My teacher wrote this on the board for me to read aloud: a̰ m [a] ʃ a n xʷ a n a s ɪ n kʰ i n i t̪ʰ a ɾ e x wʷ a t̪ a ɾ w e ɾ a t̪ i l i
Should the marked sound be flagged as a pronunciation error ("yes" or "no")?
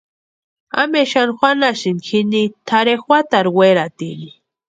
yes